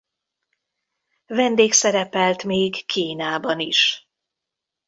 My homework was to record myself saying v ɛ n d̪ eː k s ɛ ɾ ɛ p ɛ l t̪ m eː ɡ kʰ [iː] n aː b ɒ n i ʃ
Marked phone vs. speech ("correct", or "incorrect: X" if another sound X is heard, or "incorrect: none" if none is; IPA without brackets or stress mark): correct